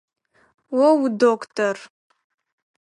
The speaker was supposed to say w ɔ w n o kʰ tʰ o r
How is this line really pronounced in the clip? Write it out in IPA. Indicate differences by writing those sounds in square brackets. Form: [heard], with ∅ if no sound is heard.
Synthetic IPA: w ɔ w [d] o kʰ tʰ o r